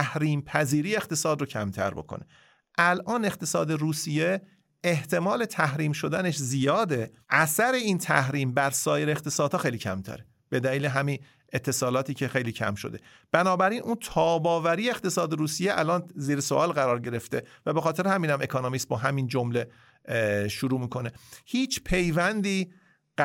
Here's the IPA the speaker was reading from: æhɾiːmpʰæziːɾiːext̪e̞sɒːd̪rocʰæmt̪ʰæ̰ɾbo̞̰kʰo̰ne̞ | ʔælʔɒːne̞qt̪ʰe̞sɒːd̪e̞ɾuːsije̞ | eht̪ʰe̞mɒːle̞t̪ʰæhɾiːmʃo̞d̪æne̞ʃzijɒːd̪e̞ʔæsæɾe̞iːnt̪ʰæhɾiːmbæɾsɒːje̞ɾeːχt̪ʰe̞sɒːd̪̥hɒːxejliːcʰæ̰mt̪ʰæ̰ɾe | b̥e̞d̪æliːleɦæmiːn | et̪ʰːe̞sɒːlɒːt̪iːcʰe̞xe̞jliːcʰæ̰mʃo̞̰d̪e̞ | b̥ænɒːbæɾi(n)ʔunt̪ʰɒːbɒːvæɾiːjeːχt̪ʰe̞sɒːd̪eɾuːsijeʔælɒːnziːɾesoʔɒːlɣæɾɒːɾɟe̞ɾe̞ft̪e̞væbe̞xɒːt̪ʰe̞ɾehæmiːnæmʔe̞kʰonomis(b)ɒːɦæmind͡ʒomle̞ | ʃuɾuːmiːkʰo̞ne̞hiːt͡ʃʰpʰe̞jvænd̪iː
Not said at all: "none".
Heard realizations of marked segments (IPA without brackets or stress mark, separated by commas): n, b